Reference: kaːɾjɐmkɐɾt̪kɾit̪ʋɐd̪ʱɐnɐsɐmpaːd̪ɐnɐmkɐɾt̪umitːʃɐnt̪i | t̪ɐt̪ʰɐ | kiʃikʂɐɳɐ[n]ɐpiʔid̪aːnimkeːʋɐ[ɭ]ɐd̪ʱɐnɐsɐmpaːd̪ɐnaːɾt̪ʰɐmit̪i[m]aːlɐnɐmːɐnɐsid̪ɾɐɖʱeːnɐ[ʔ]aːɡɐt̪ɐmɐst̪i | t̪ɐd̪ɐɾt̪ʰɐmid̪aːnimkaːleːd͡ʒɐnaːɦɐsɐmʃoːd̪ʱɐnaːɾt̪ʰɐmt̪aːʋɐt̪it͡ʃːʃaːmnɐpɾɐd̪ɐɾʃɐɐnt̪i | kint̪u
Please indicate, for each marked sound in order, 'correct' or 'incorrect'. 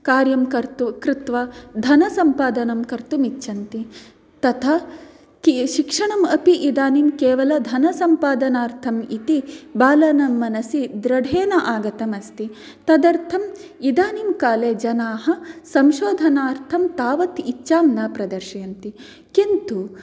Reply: incorrect, incorrect, incorrect, correct

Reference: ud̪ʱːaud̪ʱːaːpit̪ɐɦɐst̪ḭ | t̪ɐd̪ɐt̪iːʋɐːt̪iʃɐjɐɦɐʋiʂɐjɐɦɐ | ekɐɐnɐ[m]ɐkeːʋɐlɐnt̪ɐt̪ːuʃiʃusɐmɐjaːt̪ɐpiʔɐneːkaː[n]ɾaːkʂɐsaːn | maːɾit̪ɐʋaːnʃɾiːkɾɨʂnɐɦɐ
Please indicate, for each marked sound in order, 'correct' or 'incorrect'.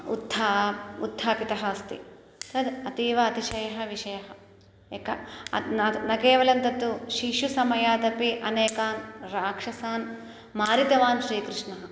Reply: incorrect, correct

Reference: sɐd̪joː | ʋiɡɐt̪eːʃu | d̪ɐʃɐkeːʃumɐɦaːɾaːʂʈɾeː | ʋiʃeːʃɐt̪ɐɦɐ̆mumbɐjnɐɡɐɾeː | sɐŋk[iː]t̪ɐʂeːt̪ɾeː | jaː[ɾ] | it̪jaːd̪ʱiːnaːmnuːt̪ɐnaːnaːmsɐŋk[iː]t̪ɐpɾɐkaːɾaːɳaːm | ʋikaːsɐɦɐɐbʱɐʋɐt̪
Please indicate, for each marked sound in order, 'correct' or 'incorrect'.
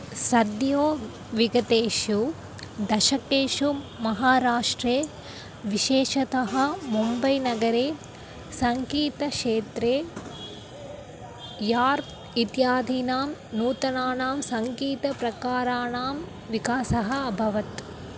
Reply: correct, correct, correct

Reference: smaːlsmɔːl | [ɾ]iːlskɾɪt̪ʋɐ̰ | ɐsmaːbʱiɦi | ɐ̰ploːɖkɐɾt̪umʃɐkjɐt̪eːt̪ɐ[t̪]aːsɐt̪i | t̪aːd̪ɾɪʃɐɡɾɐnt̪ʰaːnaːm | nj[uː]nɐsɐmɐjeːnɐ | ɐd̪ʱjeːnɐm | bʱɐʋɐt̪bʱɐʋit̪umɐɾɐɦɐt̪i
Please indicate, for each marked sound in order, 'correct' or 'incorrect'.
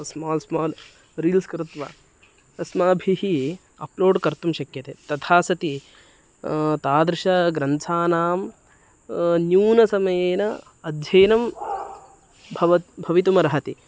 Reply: correct, incorrect, correct

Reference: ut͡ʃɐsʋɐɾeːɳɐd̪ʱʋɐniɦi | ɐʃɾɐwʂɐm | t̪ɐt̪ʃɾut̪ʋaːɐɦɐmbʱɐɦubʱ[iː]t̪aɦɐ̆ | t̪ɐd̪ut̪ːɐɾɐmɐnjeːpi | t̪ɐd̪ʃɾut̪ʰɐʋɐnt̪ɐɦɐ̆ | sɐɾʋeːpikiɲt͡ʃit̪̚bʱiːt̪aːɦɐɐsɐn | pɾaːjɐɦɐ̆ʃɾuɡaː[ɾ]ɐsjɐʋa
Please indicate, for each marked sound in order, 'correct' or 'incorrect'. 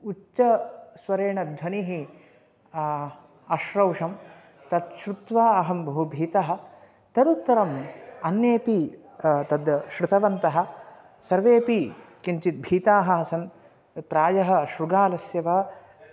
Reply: correct, incorrect

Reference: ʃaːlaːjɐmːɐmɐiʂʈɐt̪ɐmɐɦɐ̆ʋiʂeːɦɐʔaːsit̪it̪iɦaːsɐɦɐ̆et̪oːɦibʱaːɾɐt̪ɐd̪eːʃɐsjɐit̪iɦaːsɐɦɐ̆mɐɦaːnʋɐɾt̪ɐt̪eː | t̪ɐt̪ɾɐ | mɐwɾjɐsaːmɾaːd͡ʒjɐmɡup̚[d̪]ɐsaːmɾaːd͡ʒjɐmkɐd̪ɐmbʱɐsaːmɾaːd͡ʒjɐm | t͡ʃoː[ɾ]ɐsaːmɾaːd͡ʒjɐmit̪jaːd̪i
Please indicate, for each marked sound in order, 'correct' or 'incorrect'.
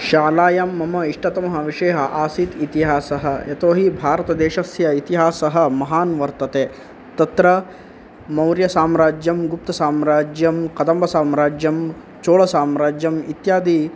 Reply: incorrect, incorrect

